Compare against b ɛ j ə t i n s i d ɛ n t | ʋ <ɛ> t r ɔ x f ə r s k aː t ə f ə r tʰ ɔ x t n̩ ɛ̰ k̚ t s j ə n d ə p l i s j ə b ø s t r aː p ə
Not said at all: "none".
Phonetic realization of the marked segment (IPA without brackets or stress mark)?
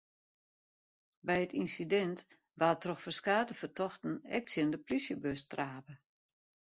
a